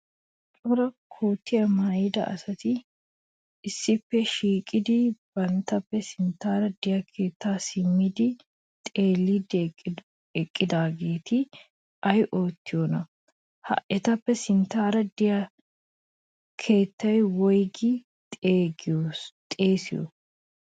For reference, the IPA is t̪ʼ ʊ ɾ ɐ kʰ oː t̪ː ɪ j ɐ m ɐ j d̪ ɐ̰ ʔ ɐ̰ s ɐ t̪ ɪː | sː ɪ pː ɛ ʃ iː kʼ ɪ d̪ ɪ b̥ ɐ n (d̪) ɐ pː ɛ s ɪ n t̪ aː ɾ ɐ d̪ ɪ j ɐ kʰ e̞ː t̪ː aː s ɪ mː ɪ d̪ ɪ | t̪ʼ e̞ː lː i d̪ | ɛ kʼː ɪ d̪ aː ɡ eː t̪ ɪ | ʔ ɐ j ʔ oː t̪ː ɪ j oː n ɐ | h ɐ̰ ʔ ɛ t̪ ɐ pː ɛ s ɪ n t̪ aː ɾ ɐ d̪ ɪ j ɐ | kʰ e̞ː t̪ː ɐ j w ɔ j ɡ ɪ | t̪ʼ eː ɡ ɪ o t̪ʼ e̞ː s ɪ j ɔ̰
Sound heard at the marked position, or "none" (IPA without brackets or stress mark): t̪